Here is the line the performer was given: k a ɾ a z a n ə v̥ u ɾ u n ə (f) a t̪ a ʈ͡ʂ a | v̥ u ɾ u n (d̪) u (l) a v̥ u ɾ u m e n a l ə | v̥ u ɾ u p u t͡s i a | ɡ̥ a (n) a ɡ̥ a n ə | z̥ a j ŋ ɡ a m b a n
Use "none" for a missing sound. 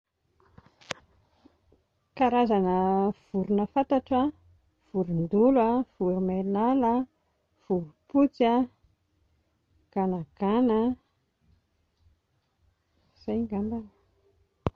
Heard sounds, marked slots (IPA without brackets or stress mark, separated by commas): f, d̪, l, n